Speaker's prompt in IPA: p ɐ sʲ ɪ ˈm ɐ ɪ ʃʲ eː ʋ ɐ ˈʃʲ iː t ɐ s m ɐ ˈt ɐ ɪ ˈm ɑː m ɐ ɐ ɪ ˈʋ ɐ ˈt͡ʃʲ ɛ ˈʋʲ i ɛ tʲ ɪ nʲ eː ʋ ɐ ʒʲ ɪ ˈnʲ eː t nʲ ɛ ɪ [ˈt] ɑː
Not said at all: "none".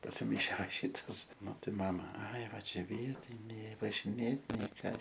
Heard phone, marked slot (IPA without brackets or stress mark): k